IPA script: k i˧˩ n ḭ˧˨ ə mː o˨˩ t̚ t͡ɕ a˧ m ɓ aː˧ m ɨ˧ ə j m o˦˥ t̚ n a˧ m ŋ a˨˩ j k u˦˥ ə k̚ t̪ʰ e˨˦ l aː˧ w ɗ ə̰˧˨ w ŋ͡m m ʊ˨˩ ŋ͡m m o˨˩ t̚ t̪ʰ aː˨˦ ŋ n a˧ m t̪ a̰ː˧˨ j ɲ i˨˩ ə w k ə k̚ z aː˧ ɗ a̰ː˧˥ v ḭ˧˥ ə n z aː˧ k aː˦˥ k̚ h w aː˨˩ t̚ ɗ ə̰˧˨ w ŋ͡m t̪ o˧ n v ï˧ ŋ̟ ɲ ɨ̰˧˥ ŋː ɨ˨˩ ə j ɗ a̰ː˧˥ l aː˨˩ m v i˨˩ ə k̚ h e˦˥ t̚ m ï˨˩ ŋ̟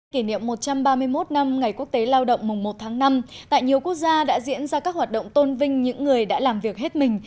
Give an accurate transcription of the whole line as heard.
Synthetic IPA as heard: k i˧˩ n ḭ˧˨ ə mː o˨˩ t̚ t͡ɕ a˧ m ɓ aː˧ m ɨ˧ ə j m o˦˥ t̚ n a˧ m ŋ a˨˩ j k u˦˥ ə k̚ t̪ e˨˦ l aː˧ w ɗ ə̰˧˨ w ŋ͡m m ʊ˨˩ ŋ͡m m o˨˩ t̚ t̪ʰ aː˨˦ ŋ n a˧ m t̪ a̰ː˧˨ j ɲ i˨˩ ə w k ə k̚ z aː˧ ɗ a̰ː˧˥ z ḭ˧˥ ə n z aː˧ k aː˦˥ k̚ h w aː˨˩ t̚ ɗ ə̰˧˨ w ŋ͡m t̪ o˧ n v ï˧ ŋ̟ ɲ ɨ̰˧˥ ŋː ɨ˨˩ ə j ɗ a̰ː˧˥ l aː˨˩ m v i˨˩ ə k̚ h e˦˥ t̚ m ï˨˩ ŋ̟